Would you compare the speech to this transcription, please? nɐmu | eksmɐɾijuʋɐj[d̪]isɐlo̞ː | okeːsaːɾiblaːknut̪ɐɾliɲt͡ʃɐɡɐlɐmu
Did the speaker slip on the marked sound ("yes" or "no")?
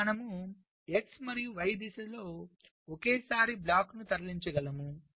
no